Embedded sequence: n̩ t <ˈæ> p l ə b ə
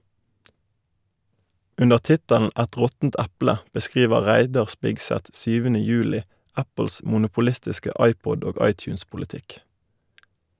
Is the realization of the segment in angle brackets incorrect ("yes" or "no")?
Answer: no